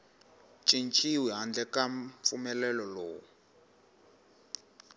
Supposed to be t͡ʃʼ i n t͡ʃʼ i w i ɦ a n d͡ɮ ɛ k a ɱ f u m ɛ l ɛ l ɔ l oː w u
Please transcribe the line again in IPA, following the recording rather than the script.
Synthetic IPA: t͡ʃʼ i n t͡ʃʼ i w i ɦ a n d͡ɮ ɛ k a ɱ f u m ɛ l ɛ l ɔ l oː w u